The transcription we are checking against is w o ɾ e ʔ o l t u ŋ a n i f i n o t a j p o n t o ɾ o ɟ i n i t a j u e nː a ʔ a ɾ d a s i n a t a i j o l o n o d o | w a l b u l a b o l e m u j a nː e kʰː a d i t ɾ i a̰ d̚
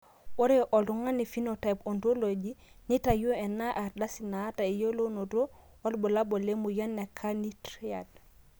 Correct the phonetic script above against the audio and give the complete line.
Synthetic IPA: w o ɾ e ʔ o l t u ŋ a n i f i n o t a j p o n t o l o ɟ i n i t a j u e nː a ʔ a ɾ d a s i n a t a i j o l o n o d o | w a l b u l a b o l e m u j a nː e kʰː a n i t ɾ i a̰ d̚